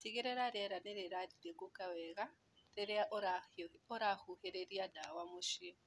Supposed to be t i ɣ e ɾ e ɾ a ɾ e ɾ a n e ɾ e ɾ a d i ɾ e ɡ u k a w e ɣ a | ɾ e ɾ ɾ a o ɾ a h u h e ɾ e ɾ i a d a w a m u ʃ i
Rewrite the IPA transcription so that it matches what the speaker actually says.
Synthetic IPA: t i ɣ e ɾ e ɾ a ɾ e ɾ a n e ɾ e ɾ a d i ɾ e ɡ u k a w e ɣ a | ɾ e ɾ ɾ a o ɾ a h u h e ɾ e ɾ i a d a w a m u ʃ i

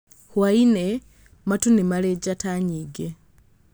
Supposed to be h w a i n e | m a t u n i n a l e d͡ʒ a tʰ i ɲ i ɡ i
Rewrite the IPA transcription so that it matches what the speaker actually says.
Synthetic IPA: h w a i n e | m a t u n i m a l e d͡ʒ a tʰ a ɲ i ɡ e

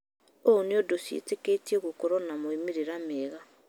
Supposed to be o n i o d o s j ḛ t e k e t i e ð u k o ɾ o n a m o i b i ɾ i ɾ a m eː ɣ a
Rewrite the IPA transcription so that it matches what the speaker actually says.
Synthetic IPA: o n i o d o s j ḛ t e k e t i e ɣ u k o ɾ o n a m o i m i ɾ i ɾ a m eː ɣ a

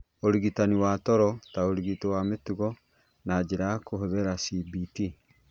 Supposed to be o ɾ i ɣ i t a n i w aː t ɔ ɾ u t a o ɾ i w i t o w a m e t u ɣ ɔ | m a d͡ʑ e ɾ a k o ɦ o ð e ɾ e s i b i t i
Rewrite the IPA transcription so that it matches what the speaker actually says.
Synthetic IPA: o ɾ i ɣ i t a n i w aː t ɔ ɾ ɔ t a o ɾ i ɣ i t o w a m e t u ɣ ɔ | n a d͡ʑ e ɾ a k o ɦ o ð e ɾ a s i b i t i

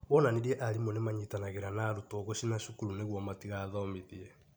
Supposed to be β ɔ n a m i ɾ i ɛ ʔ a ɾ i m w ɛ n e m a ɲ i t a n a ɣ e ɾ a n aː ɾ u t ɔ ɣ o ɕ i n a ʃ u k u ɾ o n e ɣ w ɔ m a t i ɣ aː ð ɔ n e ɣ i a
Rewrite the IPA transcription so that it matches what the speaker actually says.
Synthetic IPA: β ɔ n a n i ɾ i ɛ ʔ a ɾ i m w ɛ n e m a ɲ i t a n a ɣ e ɾ a n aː ɾ u t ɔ ɣ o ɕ i n a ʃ u k u ɾ u n e ɣ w ɔ m a t i ɣ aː ð ɔ m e ð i ɛ

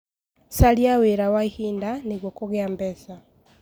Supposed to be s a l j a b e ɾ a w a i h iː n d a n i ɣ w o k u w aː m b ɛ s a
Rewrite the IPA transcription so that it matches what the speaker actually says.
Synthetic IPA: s a l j a w e ɾ a w a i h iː n d a n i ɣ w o k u ɣ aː m b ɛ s a

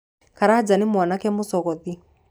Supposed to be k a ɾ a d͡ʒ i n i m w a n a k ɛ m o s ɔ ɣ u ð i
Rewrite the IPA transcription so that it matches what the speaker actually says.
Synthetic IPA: k a ɾ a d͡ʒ a n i m w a n a k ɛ m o s ɔ ɣ ɔ ð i

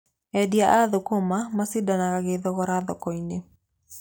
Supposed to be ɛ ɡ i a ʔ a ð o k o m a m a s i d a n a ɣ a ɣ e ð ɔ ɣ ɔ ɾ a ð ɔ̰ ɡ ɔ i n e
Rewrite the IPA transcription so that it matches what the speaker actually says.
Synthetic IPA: ɛ d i a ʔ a ð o k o m a m a s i d a n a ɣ a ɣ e ð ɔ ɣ ɔ ɾ a ð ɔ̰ k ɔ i n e

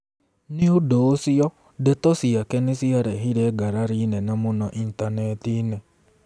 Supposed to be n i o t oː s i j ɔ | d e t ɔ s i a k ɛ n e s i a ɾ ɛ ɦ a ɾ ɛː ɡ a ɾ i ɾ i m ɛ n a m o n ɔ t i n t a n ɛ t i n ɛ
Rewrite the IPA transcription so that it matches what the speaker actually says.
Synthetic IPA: n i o d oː s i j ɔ | d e t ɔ s i a k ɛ n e s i a ɾ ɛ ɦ i ɾ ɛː ɡ a ɾ a ɾ i n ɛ n a m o n ɔ ʔ i n t a n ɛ t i n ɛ

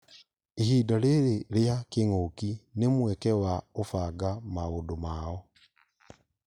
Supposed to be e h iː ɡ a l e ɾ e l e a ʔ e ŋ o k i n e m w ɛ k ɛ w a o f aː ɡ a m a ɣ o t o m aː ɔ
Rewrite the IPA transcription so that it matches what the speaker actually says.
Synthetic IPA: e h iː d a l e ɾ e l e a k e ŋ o k i n e m w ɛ k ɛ w a o f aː ɡ a m a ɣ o d o m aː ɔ

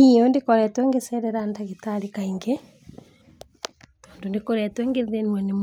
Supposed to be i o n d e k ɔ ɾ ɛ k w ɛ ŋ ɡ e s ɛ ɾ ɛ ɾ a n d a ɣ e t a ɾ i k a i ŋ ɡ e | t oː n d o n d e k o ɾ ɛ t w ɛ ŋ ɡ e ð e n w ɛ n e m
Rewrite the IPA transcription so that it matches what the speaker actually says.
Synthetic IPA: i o n d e k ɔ ɾ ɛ t w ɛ ŋ ɡ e s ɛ ɾ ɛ ɾ a n d a ɣ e t a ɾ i k a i ŋ ɡ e | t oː n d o n d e k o ɾ ɛ t w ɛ ŋ ɡ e ð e n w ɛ n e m

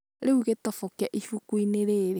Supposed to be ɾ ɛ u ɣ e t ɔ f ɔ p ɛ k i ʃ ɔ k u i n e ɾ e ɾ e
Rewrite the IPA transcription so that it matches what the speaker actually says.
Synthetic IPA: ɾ e u ɣ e t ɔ f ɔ k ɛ ʔ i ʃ u k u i n e ɾ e ɾ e

